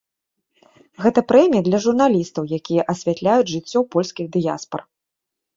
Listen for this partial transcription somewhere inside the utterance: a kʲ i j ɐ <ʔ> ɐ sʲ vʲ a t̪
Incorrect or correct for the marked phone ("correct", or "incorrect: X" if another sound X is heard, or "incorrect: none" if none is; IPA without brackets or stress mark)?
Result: correct